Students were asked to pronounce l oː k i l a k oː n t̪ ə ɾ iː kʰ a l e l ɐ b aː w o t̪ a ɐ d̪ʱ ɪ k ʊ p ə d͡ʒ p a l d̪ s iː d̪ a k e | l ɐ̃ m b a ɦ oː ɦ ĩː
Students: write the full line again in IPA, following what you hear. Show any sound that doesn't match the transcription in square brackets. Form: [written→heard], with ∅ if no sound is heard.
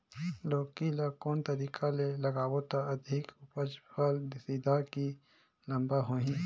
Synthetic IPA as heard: l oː k i l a k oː n t̪ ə ɾ iː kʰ a l e l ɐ [b→ɡ] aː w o t̪ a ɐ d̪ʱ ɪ k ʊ p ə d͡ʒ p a l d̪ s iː d̪ a k [e→i] | l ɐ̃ m b a ɦ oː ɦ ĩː